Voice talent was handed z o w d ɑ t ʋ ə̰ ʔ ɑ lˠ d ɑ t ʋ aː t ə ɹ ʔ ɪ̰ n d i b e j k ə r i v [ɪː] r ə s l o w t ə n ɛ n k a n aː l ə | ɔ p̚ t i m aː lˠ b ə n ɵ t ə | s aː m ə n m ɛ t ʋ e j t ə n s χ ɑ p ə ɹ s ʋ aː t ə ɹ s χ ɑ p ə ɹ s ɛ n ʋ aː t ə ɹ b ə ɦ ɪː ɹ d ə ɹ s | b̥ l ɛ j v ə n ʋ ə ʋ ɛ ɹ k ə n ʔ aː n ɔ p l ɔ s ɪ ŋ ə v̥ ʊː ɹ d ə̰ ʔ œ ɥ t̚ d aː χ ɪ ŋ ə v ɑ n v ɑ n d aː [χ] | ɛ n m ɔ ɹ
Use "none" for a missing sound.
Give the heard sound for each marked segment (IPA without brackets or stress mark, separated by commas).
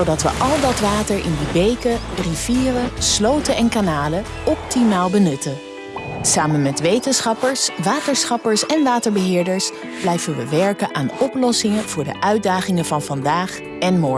iː, χ